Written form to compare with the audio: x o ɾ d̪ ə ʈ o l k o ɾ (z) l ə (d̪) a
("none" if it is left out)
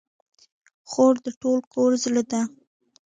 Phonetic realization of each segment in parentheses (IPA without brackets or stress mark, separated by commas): z, d̪